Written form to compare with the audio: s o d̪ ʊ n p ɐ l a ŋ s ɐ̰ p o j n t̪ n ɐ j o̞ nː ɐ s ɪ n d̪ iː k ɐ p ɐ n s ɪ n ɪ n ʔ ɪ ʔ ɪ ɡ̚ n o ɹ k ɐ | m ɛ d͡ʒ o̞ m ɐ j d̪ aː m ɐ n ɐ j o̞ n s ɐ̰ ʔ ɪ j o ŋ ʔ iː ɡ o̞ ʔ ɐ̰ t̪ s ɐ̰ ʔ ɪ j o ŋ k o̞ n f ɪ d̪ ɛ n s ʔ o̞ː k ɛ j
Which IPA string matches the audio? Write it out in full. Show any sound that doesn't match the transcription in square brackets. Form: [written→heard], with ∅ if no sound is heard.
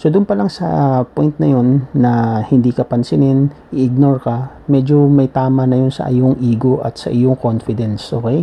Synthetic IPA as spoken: s o d̪ ʊ n p ɐ l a ŋ s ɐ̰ p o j n t̪ n ɐ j o̞ nː ɐ [s→h] ɪ n d̪ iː k ɐ p ɐ n s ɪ n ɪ n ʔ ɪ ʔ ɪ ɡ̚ n o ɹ k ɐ | m ɛ d͡ʒ o̞ m ɐ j [d̪→t̪] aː m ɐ n ɐ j o̞ n s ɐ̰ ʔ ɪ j o ŋ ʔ iː ɡ o̞ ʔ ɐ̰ t̪ s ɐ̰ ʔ ɪ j o ŋ k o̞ n f ɪ d̪ ɛ n s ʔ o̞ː k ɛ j